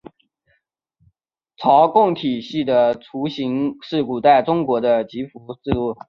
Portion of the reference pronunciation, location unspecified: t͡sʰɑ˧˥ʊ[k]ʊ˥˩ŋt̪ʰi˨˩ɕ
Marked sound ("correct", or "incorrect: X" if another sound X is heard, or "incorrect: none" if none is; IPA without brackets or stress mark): correct